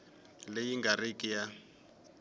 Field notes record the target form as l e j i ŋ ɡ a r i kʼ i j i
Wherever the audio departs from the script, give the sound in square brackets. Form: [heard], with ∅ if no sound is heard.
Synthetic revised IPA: l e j i ŋ ɡ a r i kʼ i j [a]